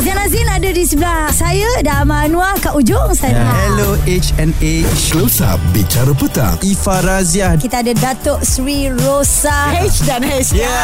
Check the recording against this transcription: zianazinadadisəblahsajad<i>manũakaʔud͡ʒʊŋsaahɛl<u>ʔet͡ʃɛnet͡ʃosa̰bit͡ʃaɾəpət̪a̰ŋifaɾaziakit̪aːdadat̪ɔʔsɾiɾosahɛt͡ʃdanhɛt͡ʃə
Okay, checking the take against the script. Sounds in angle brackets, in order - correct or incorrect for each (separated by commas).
incorrect, incorrect